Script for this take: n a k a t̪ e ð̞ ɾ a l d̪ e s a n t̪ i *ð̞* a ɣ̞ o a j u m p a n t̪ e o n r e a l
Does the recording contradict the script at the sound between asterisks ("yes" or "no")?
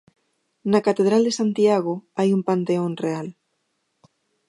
yes